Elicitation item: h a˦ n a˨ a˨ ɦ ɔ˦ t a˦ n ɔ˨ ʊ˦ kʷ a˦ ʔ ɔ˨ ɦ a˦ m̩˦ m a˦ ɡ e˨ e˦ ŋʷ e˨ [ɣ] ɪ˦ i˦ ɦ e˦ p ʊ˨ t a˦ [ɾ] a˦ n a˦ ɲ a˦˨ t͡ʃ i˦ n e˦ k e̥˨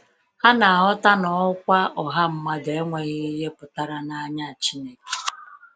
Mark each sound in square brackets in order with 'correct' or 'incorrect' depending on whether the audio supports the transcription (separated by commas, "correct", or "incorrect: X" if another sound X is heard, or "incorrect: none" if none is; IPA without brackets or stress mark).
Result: correct, correct